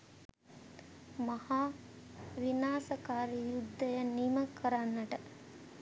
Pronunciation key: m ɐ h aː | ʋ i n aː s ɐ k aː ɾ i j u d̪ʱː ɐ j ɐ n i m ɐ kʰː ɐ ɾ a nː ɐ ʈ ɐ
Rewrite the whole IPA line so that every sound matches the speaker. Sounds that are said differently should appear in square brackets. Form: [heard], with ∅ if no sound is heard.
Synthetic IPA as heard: m ɐ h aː | ʋ i n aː s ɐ k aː ɾ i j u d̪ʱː ɐ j ɐ n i m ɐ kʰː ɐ ɾ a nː ɐ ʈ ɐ